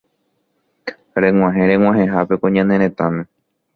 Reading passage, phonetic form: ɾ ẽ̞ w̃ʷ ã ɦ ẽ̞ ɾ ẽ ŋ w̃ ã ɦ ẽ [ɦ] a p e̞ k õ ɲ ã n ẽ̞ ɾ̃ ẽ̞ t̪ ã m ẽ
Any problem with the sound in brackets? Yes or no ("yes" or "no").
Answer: no